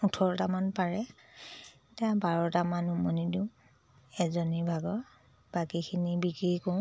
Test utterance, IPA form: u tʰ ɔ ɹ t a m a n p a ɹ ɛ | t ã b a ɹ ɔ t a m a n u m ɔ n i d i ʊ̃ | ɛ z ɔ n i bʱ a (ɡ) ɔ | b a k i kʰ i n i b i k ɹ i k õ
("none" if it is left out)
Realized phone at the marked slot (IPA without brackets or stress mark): ɡ